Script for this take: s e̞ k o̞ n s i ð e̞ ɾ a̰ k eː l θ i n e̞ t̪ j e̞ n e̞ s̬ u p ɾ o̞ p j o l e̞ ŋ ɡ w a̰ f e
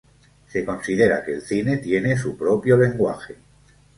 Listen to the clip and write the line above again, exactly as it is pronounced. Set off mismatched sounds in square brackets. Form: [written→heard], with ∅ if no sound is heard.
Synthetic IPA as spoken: s e̞ k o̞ n s i ð e̞ ɾ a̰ k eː l θ i n e̞ t̪ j e̞ n e̞ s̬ u p ɾ o̞ p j o l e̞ ŋ ɡ w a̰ [f→x] e